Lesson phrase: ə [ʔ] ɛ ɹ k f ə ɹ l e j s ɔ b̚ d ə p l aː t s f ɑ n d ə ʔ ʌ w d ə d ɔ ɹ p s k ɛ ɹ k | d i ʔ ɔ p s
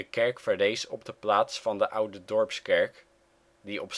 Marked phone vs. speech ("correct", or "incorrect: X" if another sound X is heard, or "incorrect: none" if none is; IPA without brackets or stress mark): incorrect: k